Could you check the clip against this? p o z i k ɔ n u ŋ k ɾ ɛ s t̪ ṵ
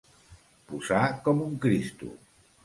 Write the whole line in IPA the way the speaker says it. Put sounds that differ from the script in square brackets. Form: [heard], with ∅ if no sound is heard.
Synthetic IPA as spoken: p [u] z [a] k ɔ [m] u ŋ k ɾ [i] s t̪ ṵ